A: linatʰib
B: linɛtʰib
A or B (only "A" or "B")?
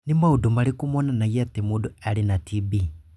A